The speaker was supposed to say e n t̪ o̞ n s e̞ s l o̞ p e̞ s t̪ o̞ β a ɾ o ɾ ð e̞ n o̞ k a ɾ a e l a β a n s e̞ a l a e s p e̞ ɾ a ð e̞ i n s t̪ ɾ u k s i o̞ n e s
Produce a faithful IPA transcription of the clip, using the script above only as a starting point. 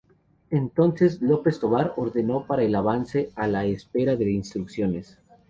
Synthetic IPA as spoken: e n t̪ o̞ n s e̞ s l o̞ p e̞ s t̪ o̞ β a ɾ o ɾ ð e̞ n o̞ p a ɾ a e l a β a n s e̞ a l a e s p e̞ ɾ a ð e̞ i n s t̪ ɾ u k s j o̞ n e s